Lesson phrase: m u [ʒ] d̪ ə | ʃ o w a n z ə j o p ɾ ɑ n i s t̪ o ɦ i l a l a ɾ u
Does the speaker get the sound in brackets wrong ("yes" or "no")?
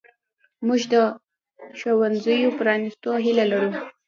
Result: no